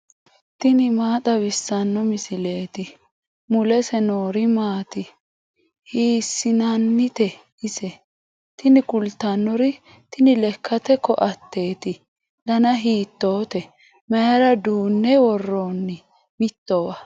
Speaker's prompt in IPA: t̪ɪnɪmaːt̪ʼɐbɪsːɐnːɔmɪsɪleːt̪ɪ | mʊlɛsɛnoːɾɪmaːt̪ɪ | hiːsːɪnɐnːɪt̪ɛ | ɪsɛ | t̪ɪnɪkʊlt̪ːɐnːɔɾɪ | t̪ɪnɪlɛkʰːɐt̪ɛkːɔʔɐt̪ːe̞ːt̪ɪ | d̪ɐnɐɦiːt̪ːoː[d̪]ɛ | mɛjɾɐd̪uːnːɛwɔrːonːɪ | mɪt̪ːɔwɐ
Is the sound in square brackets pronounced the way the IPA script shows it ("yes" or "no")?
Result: no